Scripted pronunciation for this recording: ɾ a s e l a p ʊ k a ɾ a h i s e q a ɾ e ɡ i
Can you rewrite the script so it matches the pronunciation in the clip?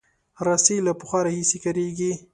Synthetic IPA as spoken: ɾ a s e l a p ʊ x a ɾ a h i s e k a ɾ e ɡ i